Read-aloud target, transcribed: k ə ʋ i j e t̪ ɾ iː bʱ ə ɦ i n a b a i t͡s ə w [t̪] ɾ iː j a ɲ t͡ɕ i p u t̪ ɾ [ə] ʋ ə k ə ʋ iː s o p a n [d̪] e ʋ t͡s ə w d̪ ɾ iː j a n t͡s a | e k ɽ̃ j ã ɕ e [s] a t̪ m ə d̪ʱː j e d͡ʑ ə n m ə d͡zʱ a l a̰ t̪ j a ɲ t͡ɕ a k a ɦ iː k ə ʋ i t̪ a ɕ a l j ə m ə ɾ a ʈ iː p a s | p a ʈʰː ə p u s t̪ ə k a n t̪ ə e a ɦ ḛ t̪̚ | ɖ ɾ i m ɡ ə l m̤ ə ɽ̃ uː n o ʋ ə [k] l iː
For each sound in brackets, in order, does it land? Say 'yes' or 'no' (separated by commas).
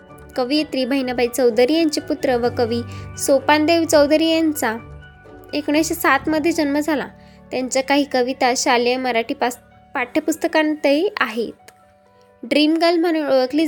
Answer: no, yes, yes, yes, yes